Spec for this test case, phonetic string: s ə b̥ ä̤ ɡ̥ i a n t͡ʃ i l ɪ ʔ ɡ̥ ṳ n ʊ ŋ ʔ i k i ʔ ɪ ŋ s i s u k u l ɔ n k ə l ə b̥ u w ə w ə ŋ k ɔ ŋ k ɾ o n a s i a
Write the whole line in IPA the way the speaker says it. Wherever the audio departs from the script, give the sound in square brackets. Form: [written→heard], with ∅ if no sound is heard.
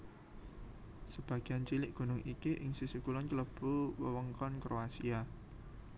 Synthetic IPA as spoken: s ə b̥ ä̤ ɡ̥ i a n t͡ʃ i l ɪ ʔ ɡ̥ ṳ n ʊ ŋ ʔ i k i ʔ ɪ ŋ s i s u k u l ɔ n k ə l ə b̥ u w ə w ə ŋ k ɔ [ŋ→n] k ɾ o [n→∅] a s i a